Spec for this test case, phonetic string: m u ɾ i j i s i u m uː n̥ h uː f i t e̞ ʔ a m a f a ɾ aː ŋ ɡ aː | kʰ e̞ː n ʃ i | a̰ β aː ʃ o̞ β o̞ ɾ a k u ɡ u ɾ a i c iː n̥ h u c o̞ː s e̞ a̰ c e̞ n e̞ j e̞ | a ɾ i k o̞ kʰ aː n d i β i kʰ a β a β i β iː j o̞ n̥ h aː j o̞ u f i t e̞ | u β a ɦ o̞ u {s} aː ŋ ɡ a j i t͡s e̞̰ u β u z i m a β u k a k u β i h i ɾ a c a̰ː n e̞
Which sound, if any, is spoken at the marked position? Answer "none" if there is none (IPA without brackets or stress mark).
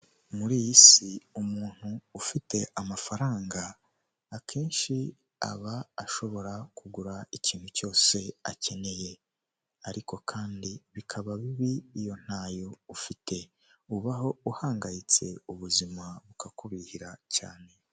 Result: h